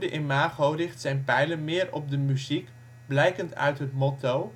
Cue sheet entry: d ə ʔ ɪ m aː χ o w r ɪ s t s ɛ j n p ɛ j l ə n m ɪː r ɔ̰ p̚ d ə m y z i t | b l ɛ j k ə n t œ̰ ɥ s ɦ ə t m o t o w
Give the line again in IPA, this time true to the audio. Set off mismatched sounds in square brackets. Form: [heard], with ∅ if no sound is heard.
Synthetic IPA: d ə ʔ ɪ m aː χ o w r ɪ [χ] t s ɛ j n p ɛ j l ə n m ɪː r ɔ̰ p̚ d ə m y z i [k] | b l ɛ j k ə n t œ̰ ɥ [t] ɦ ə t m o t o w

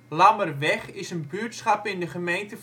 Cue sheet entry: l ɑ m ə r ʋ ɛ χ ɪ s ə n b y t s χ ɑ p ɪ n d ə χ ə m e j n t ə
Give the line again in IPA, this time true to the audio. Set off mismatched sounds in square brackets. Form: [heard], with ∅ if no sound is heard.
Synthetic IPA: l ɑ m ə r ʋ ɛ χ ɪ s ə n b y t s χ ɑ p ɪ n d ə χ ə m e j n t ə

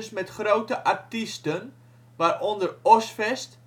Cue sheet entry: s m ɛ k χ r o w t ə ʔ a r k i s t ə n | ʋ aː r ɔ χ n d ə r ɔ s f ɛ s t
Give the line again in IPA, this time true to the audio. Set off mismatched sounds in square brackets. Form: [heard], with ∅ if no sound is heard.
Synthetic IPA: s m ɛ [t] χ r o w t ə ʔ a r [t] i s t ə n | ʋ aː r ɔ [∅] n d ə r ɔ s f ɛ s t

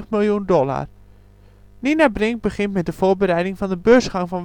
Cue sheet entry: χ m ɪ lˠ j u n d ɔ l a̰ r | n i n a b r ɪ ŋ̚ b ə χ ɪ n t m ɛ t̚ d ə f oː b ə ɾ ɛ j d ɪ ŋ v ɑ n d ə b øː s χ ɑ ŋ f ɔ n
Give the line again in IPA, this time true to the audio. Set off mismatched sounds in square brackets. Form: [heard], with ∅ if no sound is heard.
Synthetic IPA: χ m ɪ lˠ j u n d ɔ l a̰ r | n i n a b r ɪ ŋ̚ b ə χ ɪ n t m ɛ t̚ d ə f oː b ə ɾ ɛ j d ɪ ŋ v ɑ n d ə b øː s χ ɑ ŋ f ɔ n

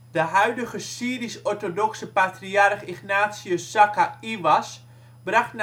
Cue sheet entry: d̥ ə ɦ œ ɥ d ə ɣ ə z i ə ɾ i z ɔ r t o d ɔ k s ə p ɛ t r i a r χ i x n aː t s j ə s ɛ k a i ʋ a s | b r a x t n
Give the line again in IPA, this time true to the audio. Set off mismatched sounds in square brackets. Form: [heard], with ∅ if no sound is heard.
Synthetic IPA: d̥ ə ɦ œ ɥ d ə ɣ ə [s] i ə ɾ i [s] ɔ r t o d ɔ k s ə p [a] t r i a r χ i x n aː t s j ə s [a] k a i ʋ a s | b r a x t n

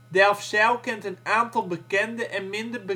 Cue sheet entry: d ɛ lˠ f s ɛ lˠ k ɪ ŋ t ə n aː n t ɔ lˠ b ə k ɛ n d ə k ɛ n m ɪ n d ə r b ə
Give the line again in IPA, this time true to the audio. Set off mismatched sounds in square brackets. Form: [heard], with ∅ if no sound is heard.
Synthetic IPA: d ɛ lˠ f s ɛ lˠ k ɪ [n] t ə n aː n t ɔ lˠ b ə k ɛ n d ə [ʔ] ɛ n m ɪ n d ə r b ə

